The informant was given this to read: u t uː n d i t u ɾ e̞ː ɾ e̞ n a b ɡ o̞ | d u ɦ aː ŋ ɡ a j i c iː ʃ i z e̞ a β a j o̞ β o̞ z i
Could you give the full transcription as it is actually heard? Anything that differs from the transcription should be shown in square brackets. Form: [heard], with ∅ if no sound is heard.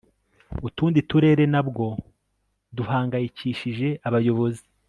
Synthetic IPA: u t uː n d i t u ɾ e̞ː ɾ e̞ n a b ɡ o̞ | d u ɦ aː ŋ ɡ a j i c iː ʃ i [ʒ] e̞ a β a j o̞ β o̞ z i